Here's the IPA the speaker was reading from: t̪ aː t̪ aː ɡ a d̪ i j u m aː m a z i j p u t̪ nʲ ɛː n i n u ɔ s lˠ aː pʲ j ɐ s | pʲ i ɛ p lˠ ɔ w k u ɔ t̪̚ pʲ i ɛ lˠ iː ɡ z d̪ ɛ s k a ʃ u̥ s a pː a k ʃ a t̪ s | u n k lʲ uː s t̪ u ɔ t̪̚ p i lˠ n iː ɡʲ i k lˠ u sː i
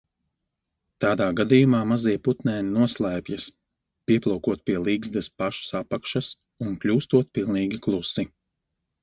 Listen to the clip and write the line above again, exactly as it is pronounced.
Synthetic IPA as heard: t̪ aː d̪ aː ɡ a d̪ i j u m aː m a z i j p u t̪ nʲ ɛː n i n u ɔ s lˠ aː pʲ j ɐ s | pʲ i ɛ p lˠ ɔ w k u ɔ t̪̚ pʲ i ɛ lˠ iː ɡ z d̪ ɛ s p a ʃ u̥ s a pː a k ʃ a s | u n k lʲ uː s t̪ u ɔ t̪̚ p i lˠ n iː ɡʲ i k lˠ u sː i